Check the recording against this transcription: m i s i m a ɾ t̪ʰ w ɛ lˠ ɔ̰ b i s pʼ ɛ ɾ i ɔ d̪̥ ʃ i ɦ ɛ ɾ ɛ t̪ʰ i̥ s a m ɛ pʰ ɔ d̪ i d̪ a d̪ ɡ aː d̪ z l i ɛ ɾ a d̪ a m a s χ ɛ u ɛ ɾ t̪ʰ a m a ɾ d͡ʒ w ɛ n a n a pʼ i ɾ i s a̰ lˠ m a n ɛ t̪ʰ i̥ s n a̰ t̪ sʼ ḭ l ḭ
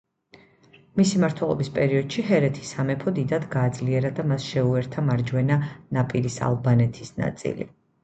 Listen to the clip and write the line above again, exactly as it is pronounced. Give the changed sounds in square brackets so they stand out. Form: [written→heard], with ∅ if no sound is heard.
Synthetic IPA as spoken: m i s i m a ɾ t̪ʰ w ɛ lˠ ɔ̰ b i s pʼ ɛ ɾ i ɔ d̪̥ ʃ i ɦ ɛ ɾ ɛ t̪ʰ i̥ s a m ɛ pʰ ɔ d̪ i d̪ a d̪ ɡ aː d̪ z l i ɛ ɾ a d̪ a m a s [χ→ʃ] ɛ u ɛ ɾ t̪ʰ a m a ɾ d͡ʒ w ɛ n a n a pʼ i ɾ i s a̰ lˠ [m→b] a n ɛ t̪ʰ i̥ s n a̰ t̪ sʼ ḭ l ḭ